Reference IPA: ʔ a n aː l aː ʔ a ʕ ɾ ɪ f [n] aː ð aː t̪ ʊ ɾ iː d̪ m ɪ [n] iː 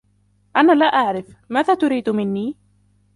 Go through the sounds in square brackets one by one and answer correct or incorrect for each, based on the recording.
incorrect, incorrect

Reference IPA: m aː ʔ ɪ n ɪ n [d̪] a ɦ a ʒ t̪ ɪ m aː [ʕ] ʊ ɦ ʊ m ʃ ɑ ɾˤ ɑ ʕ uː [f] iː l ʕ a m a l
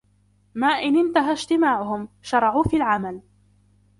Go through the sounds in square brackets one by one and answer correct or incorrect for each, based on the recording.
incorrect, correct, correct

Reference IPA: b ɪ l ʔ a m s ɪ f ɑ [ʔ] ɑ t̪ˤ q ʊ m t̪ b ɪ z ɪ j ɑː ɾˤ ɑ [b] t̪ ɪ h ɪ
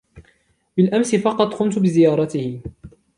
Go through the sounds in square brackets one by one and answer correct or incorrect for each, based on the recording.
incorrect, incorrect

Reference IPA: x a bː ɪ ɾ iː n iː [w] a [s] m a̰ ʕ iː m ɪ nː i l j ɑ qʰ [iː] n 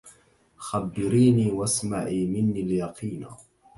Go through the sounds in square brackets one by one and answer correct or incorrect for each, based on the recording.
correct, correct, correct

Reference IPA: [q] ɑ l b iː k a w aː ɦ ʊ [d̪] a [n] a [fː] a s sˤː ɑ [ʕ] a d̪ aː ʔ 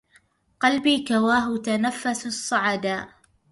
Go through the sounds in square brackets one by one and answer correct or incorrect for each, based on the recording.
correct, incorrect, correct, correct, correct

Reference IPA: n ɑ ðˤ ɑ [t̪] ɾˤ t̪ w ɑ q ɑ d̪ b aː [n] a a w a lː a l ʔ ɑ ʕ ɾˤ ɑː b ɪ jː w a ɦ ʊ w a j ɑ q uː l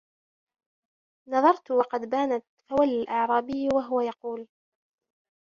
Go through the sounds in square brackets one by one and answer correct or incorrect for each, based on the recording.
incorrect, correct

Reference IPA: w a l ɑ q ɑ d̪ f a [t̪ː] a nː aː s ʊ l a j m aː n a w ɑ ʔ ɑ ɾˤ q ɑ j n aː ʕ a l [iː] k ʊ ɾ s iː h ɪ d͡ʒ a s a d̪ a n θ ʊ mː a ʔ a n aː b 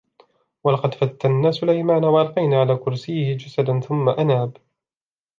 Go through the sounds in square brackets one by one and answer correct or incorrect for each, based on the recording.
correct, incorrect

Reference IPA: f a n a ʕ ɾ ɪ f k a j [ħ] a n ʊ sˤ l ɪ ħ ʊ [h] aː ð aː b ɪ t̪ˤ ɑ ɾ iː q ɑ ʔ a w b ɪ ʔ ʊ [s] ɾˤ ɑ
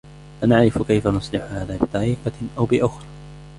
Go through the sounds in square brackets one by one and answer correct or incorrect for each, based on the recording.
incorrect, correct, incorrect

